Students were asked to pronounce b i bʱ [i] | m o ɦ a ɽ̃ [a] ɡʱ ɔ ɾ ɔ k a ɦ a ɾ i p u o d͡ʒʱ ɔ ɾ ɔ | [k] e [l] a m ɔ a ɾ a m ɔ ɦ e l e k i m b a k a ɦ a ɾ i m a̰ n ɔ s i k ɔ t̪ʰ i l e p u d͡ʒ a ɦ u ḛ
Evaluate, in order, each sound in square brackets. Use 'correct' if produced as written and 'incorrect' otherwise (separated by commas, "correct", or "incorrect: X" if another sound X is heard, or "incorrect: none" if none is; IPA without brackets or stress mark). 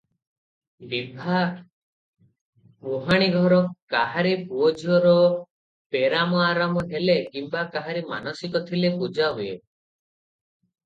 incorrect: a, incorrect: i, incorrect: p, incorrect: ɾ